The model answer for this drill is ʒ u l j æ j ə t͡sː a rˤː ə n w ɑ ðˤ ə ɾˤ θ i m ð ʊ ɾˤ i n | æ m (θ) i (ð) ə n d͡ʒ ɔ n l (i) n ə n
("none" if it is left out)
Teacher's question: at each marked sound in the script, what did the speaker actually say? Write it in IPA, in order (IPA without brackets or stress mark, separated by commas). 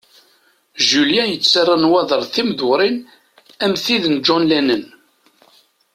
θ, ð, æ